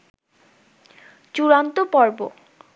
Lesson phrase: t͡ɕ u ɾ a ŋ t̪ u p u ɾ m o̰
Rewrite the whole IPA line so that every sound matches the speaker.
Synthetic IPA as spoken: t͡ɕ u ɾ a n t̪ o p ɔ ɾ b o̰